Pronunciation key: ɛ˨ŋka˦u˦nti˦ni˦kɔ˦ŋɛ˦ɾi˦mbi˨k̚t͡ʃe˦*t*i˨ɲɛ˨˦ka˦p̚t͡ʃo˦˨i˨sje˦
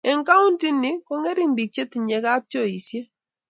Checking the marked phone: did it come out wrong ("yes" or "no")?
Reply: no